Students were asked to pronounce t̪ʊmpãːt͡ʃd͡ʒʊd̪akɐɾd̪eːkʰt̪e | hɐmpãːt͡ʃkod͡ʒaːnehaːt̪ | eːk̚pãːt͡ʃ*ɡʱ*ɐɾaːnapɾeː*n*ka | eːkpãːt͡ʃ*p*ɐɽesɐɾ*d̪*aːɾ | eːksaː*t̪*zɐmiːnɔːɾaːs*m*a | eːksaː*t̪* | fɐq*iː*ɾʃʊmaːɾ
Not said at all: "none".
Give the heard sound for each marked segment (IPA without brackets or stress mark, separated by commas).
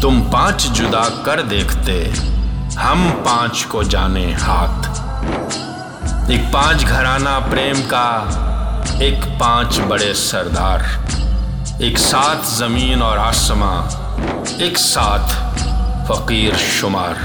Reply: ɡʱ, m, b, d̪, t̪ʰ, m, t̪ʰ, iː